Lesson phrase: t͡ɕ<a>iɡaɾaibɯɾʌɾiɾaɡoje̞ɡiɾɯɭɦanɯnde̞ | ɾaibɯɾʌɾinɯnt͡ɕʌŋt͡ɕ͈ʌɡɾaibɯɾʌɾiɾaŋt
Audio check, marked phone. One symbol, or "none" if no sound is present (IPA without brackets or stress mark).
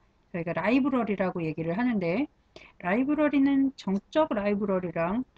ʌ